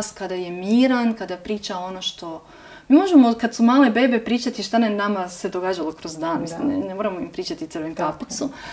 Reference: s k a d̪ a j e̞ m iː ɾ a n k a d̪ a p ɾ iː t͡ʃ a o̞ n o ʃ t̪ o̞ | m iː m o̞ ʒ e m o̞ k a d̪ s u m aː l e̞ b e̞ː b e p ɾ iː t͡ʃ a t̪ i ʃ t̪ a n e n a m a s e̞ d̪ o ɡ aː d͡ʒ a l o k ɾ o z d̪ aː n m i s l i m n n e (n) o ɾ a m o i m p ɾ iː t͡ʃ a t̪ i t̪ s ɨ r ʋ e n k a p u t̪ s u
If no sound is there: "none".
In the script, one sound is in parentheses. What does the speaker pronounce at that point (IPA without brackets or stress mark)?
m